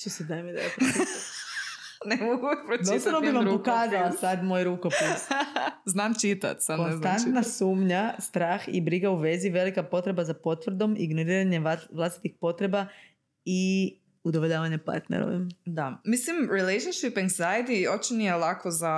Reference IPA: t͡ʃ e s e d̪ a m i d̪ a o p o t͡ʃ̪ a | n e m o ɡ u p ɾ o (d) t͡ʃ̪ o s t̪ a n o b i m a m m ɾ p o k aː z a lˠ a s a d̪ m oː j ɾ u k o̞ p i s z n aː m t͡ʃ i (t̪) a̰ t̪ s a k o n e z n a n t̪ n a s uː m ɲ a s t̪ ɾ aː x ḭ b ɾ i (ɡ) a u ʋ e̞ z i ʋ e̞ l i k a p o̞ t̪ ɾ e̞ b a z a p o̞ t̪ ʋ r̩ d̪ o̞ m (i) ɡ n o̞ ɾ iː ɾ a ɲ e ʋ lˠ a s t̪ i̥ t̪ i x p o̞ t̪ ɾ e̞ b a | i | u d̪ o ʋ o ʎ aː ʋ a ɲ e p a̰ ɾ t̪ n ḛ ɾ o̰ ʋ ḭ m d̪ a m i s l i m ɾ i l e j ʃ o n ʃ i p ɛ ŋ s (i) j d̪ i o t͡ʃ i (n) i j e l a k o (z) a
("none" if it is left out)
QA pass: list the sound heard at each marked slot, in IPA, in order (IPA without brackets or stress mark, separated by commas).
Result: d, t̪, ɡ, i, a, n, z